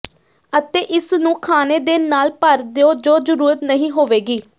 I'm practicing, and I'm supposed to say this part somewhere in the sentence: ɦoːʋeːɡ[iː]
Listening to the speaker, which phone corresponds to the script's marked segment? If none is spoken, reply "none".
iː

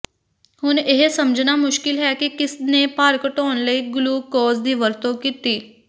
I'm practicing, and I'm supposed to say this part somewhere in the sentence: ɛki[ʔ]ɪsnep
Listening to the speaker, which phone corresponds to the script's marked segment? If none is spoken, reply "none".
k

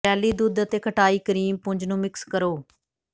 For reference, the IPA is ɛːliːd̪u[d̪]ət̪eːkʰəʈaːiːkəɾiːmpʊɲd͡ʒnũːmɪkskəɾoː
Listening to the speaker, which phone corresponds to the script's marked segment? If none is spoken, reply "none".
d̪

